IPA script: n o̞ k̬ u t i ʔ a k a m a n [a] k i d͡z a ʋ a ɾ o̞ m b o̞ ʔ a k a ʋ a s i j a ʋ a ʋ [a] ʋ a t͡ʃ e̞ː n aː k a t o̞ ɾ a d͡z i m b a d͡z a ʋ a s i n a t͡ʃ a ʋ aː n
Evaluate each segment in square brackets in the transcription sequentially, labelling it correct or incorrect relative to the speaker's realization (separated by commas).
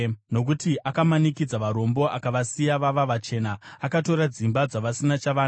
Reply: incorrect, correct